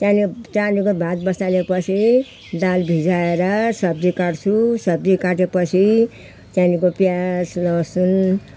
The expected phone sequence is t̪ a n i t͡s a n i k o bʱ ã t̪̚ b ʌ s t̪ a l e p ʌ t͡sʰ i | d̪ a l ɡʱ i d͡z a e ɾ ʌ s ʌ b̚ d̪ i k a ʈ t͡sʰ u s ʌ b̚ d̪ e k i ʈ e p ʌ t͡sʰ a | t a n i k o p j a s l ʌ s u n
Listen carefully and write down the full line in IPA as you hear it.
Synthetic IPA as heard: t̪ a n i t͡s a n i k o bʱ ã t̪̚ b ʌ s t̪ a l e p ʌ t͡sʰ i | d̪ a l bʱ i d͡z a e ɾ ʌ s ʌ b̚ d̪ i k a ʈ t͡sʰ u s ʌ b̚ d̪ i k a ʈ e p ʌ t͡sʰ i | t a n i k o p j a s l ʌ s u n